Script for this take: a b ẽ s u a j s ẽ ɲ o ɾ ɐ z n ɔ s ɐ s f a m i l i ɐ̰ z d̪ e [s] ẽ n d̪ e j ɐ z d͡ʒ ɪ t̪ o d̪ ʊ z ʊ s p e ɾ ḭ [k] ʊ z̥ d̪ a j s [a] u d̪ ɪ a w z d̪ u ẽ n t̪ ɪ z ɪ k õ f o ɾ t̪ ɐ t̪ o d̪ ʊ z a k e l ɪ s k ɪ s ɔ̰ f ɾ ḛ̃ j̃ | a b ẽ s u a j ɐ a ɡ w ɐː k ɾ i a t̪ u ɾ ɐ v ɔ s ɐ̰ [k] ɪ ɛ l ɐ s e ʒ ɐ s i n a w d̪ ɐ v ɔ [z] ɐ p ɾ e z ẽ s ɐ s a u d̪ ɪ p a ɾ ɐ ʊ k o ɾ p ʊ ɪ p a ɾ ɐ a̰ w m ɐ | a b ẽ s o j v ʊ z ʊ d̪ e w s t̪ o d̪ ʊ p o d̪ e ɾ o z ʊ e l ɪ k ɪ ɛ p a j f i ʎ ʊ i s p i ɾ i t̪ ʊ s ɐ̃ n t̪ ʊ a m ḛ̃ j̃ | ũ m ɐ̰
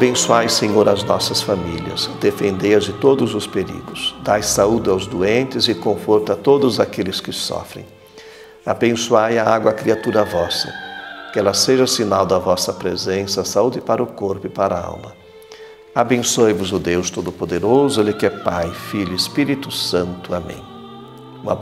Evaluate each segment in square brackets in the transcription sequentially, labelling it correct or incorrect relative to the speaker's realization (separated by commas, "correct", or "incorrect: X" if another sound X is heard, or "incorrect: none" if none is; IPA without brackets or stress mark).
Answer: incorrect: f, incorrect: ɡ, correct, correct, incorrect: s